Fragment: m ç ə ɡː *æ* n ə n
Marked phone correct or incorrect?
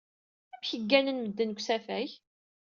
correct